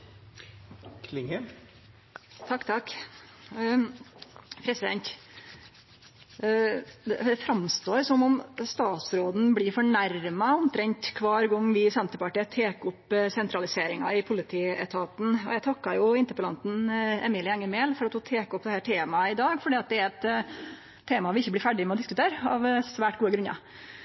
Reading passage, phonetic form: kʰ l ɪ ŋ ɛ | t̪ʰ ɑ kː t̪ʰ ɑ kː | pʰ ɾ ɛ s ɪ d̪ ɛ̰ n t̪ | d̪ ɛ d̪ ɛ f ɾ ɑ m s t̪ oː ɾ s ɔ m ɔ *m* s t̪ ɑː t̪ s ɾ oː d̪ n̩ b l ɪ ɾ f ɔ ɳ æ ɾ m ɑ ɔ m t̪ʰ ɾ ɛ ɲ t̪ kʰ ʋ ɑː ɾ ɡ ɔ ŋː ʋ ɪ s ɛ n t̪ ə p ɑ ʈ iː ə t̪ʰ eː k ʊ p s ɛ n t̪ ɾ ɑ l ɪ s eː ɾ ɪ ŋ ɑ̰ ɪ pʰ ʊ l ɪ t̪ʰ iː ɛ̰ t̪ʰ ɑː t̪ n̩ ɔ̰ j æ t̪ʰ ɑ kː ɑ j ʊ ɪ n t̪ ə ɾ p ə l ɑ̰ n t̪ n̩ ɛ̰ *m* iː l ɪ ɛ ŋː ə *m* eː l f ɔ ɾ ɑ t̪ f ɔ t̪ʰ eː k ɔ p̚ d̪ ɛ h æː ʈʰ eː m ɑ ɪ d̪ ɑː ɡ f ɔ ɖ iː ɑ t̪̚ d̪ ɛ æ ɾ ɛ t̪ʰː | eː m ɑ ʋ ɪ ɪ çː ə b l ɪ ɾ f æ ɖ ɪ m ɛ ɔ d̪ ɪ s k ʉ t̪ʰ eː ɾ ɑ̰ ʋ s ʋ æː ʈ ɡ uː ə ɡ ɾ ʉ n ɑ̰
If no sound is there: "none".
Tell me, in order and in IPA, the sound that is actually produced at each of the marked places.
m, m, m

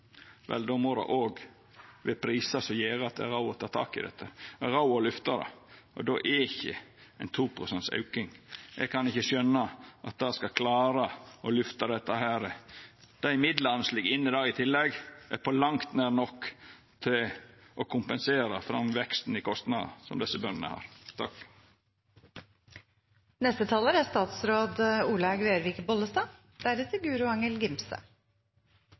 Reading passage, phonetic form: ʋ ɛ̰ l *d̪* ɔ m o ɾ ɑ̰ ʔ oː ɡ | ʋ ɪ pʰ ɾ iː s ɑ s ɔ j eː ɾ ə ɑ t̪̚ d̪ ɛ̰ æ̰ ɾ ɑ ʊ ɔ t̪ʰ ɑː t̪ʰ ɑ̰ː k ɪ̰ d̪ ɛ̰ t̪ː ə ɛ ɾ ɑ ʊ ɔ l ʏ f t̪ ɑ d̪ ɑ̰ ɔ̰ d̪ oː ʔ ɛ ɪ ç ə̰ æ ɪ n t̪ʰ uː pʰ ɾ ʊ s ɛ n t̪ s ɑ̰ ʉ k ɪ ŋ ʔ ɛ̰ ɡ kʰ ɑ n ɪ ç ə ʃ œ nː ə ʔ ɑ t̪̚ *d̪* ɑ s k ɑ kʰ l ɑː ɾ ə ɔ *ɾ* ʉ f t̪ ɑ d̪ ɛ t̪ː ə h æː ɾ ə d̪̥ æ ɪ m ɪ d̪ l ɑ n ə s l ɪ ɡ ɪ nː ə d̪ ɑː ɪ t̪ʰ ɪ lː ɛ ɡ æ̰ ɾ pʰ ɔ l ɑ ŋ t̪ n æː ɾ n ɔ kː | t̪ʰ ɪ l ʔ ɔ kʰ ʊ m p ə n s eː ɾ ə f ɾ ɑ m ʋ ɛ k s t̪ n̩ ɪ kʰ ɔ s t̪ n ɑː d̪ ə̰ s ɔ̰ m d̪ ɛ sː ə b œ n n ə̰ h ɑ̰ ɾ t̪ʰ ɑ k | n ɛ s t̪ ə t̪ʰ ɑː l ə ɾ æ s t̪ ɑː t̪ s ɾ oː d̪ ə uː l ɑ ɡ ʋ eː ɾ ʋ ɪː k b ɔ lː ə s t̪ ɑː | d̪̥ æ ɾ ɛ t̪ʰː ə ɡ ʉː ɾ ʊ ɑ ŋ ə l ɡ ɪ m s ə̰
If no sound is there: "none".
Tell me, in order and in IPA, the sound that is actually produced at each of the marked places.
d̪, d̪, l

